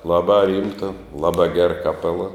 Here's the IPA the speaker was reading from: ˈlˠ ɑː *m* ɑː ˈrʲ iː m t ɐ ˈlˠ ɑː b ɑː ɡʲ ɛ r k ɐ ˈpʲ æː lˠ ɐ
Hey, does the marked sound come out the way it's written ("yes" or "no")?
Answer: no